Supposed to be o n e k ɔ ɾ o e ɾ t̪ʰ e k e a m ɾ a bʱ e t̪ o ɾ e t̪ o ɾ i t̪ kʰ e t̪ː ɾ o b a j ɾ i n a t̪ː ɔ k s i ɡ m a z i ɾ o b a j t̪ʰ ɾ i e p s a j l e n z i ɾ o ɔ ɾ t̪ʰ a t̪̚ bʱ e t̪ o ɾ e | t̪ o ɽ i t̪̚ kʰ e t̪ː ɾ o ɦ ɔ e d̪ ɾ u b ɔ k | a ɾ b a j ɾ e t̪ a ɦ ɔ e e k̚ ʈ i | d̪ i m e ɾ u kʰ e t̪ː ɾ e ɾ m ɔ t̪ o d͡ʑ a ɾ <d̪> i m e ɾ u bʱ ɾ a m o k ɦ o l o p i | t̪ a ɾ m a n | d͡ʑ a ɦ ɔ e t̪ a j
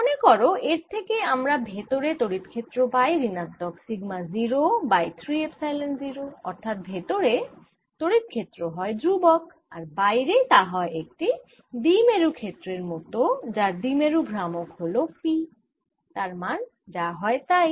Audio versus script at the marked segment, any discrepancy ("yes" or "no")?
no